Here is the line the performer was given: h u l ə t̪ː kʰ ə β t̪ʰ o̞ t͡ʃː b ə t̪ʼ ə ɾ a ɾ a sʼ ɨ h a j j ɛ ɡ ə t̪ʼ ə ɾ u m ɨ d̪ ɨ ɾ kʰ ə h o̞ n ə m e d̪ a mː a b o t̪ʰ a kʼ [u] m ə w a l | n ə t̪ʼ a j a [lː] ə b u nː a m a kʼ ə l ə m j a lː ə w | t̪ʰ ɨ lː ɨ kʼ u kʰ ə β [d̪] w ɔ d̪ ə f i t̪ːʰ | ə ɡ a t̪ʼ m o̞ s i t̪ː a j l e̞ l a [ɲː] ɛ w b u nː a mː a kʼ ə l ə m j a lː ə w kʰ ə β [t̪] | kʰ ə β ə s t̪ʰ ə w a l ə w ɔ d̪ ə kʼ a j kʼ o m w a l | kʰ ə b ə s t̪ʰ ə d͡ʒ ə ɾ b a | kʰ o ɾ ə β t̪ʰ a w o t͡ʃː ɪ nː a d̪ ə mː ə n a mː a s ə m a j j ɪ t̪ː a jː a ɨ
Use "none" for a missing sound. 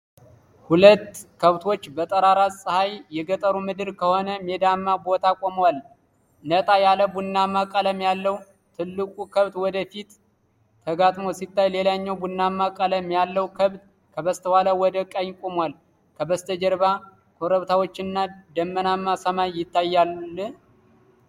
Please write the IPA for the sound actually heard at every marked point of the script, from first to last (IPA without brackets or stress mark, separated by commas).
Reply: o, l, t̪, ɲː, t̪